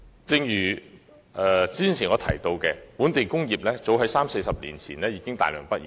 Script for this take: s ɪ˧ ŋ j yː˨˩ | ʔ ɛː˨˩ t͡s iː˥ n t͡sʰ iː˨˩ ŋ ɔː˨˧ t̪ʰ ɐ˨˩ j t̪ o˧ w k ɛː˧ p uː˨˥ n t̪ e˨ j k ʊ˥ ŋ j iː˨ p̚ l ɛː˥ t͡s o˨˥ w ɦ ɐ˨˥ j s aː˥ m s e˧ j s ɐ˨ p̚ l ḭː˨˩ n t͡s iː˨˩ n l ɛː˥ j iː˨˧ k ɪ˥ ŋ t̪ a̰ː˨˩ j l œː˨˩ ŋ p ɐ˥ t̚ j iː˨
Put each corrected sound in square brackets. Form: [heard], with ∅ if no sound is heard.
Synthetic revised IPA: [t͡s] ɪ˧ ŋ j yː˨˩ | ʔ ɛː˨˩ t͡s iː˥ n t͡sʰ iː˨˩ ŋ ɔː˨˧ t̪ʰ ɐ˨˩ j t̪ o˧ w k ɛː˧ p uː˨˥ n t̪ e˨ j k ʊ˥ ŋ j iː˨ p̚ l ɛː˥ t͡s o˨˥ w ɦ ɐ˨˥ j s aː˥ m s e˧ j s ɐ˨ p̚ l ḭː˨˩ n [t͡sʰ] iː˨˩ n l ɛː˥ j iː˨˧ k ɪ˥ ŋ t̪ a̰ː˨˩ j l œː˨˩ ŋ p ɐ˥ t̚ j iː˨